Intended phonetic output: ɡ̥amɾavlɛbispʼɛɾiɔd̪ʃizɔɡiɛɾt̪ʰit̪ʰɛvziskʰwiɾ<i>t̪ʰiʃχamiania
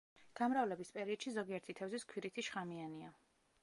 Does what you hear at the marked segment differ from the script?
no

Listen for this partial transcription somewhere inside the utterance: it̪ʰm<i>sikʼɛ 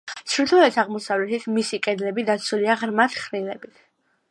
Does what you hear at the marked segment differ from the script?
no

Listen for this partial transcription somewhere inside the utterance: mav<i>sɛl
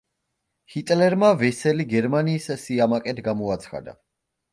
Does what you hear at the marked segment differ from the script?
yes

